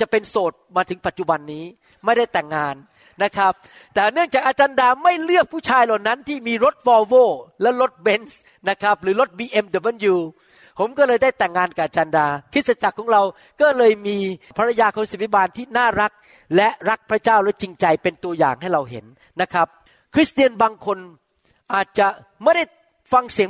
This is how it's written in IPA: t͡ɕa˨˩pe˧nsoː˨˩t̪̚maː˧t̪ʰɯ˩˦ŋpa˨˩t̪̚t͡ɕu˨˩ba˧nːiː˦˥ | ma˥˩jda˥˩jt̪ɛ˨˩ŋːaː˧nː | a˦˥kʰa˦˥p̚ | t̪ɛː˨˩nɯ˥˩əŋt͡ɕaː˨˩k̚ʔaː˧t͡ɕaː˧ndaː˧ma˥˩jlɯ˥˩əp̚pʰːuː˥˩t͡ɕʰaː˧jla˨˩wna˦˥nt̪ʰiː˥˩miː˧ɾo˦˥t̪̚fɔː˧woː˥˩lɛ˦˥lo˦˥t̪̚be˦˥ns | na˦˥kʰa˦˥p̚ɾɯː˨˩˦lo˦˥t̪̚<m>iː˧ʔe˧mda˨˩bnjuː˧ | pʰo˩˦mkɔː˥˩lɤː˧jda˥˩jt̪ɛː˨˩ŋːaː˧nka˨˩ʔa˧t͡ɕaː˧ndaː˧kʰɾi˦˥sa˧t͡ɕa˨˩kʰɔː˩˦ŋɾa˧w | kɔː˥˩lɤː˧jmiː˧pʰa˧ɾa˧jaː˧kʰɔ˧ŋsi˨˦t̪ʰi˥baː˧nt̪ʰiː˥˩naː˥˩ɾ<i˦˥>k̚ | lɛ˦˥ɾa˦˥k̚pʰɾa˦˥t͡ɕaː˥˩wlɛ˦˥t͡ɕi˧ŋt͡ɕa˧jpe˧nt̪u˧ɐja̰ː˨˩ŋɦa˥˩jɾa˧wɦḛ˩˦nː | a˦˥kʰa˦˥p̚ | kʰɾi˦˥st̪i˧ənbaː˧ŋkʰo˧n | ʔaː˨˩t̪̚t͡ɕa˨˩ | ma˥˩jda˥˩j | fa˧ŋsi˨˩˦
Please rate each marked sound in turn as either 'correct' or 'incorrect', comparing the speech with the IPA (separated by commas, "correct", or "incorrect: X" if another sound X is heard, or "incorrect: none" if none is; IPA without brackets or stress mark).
incorrect: b, incorrect: a˦˥